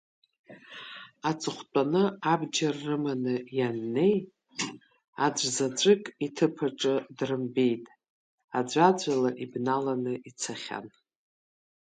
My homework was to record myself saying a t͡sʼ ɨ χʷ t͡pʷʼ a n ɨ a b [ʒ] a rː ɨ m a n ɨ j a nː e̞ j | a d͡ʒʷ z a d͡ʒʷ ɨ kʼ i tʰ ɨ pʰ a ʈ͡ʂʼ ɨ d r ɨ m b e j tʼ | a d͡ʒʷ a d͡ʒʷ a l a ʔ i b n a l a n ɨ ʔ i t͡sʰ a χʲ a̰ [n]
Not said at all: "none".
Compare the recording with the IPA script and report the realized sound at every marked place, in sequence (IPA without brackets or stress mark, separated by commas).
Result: d͡ʒ, n